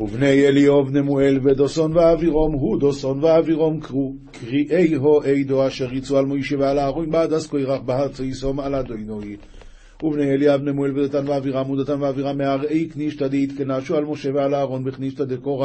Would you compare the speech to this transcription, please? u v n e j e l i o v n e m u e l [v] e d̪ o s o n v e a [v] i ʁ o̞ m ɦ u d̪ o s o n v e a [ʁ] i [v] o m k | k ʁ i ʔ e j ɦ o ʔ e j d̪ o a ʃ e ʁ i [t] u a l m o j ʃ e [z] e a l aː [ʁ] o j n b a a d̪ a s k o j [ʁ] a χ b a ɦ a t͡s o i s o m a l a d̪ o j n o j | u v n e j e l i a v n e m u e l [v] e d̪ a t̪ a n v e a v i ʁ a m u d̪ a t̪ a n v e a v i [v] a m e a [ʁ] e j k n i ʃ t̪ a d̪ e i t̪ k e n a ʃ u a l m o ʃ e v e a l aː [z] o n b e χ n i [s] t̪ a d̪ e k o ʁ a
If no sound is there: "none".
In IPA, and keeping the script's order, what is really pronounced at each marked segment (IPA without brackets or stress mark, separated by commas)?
v, v, v, ʁ, t͡s, v, ʁ, ʁ, v, ʁ, ʁ, ʁ, ʃ